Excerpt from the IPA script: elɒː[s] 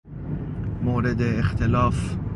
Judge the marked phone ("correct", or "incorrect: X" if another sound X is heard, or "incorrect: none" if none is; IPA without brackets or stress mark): incorrect: f